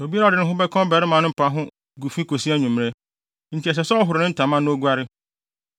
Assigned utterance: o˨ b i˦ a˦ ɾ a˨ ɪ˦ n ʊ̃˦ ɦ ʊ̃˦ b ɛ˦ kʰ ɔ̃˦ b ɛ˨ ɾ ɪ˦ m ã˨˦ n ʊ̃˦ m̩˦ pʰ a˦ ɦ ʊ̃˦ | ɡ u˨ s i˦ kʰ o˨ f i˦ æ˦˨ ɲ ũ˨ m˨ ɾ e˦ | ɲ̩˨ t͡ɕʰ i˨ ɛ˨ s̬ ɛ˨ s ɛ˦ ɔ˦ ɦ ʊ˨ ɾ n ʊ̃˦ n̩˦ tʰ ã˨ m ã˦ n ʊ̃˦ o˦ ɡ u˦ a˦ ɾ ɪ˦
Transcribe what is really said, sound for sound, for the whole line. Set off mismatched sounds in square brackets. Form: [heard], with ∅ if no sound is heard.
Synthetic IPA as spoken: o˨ b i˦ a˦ ɾ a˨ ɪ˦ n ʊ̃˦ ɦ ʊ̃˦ b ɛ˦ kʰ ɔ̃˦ b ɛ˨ ɾ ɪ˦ m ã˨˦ n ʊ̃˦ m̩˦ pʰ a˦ ɦ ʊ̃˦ | ɡ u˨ [f] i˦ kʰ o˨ [s] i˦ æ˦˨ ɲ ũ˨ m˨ ɾ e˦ | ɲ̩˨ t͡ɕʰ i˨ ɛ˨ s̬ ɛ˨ s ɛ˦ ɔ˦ ɦ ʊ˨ ɾ n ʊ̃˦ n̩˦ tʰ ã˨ m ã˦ n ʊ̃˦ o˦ ɡ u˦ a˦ ɾ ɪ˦